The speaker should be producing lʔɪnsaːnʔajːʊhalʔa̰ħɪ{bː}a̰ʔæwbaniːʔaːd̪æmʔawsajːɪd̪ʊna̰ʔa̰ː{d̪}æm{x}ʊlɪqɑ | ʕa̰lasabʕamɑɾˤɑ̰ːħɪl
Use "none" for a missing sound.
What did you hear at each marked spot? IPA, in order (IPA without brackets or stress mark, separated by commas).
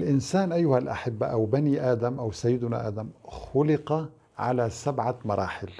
bː, d̪, x